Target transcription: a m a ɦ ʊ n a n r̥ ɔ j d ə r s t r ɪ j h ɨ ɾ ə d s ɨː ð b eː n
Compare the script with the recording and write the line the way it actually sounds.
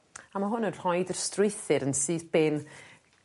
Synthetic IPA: a m a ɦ ʊ n ə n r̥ ɔ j d ə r s t r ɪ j θ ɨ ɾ ə n s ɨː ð b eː n

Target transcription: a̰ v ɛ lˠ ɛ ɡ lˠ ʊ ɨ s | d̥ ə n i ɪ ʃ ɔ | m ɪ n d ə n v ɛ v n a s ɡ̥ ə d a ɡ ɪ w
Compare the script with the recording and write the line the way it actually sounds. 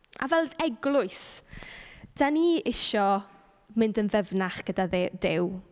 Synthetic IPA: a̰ v ɛ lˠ ɛ ɡ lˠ ʊ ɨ s | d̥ a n i ɪ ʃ ɔ | m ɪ n d ə n v ɛ v n a χ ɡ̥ ə d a d ɪ w

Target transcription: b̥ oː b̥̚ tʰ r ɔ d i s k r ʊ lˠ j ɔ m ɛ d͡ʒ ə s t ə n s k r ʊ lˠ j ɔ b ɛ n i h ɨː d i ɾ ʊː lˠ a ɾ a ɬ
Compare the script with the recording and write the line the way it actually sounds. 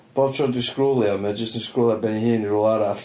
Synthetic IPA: b̥ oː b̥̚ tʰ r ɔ d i s k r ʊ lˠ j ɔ m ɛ d͡ʒ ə s t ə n s k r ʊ lˠ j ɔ b ɛ n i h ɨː n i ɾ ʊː lˠ a ɾ a ɬ

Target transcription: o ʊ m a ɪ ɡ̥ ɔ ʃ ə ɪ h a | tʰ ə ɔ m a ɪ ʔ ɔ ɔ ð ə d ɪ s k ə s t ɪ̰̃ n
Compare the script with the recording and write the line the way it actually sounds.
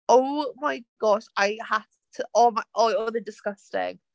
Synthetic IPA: o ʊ m a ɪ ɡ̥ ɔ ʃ a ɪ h a | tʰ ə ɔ m a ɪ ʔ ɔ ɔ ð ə d ɪ s k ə s t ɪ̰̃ ŋ

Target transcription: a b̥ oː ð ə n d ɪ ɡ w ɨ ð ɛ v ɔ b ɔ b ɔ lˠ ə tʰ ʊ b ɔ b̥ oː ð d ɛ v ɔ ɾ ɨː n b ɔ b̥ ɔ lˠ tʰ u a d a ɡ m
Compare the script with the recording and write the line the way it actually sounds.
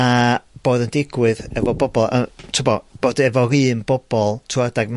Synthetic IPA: a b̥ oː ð ə n d ɪ ɡ w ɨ ð ɛ v ɔ b ɔ b ɔ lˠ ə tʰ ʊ b ɔ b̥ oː d ɛ v ɔ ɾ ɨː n b ɔ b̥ ɔ lˠ tʰ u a d a ɡ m

